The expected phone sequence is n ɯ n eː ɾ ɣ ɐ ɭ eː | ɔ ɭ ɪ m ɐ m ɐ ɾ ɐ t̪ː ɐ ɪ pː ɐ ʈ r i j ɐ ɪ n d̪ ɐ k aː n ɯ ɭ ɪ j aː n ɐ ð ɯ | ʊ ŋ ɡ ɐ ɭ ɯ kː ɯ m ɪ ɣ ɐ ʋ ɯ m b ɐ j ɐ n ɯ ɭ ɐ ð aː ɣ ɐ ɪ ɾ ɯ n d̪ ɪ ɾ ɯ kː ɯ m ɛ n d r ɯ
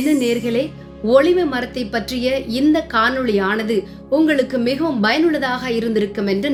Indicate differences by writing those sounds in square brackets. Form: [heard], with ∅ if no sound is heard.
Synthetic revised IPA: n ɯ n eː ɾ ɣ ɐ ɭ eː | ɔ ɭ ɪ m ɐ m ɐ ɾ ɐ t̪ː ɐ ɪ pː ɐ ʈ r [ɪ] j ɐ ɪ n d̪ ɐ k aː n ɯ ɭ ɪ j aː n ɐ ð ɯ | ʊ ŋ ɡ ɐ ɭ ɯ kː ɯ m ɪ ɣ ɐ ʋ ɯ m b ɐ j ɐ n ɯ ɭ ɐ ð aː ɣ ɐ ɪ ɾ ɯ n d̪ ɪ ɾ ɯ kː ɯ m ɛ n d r ɯ